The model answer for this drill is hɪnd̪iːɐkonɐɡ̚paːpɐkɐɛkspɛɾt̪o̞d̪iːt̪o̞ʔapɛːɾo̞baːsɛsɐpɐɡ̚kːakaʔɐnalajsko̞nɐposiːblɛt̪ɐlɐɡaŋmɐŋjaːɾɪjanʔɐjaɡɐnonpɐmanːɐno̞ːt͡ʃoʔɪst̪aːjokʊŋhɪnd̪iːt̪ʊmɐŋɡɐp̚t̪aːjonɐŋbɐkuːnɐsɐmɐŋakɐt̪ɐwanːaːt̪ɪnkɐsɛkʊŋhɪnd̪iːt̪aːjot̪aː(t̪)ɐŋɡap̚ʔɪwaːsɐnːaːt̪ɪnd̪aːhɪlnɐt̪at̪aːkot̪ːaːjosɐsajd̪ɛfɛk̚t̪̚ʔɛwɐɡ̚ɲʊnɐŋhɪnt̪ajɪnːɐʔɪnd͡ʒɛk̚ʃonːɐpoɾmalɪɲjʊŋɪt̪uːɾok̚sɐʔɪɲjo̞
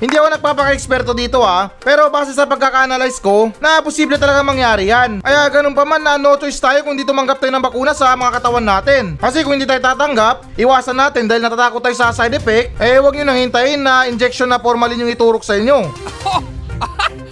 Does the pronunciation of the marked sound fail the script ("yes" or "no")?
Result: no